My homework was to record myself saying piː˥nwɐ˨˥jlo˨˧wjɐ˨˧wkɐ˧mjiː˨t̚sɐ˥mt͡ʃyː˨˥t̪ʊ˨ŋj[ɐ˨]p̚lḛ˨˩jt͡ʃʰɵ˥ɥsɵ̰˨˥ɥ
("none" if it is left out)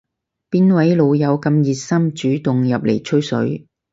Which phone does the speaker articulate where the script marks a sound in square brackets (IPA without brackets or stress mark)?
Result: ɐ˨